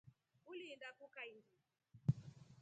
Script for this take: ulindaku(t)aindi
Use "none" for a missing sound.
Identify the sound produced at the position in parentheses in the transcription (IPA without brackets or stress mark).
k